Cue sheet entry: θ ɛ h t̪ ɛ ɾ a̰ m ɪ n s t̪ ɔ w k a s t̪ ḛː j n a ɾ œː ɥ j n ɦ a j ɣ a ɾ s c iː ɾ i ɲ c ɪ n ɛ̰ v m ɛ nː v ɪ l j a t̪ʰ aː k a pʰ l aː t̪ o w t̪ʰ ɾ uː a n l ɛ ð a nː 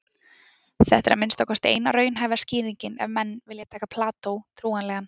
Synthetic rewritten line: θ ɛ h t̪ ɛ ɾ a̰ m ɪ n s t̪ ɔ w k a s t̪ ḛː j n a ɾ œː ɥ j n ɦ a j v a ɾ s c iː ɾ i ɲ c ɪ n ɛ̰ v m ɛ nː v ɪ l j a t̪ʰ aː k a pʰ l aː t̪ o w t̪ʰ ɾ uː a n l ɛ ɣ a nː